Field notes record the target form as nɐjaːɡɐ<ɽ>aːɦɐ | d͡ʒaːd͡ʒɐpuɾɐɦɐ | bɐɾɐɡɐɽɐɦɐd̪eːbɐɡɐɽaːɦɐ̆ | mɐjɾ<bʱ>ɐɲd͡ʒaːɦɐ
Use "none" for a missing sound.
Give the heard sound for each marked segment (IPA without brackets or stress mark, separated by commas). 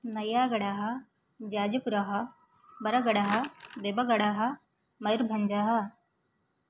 ɽ, bʱ